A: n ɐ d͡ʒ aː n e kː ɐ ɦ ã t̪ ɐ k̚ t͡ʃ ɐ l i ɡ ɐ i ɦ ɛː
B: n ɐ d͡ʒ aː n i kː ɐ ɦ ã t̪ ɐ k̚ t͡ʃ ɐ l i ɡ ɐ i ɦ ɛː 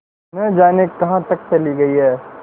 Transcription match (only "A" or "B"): A